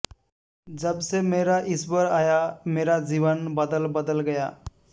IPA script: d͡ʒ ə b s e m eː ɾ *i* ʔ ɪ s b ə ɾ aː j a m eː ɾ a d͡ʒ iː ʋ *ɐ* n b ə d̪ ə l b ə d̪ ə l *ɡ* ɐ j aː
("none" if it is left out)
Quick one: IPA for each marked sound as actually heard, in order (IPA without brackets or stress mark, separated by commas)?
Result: a, ə, ɡ